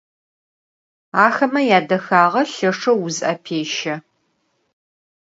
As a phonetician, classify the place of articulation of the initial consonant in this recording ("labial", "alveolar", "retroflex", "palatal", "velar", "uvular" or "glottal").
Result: velar